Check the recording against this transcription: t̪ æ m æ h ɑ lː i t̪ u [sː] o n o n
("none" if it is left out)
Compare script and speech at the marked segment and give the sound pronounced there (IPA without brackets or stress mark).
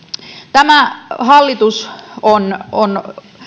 s